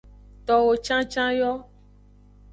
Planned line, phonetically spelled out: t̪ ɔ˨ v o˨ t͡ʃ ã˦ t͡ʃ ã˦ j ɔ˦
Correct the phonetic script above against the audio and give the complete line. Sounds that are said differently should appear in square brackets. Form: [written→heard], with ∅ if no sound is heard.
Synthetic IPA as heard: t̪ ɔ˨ [v→w] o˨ t͡ʃ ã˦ t͡ʃ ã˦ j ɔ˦